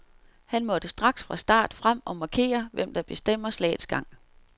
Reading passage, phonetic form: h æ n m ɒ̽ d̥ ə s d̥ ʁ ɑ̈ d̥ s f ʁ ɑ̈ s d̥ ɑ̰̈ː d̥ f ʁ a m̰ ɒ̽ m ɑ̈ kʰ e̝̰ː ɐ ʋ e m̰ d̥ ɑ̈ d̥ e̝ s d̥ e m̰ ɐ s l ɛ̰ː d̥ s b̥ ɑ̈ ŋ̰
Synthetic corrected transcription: h æ n m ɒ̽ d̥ ə s d̥ ʁ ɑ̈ ɡ̥ s f ʁ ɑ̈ s d̥ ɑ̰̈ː d̥ f ʁ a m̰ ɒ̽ m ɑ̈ kʰ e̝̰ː ɐ ʋ e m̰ d̥ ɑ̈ b̥ e̝ s d̥ e m̰ ɐ s l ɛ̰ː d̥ s ɡ̥ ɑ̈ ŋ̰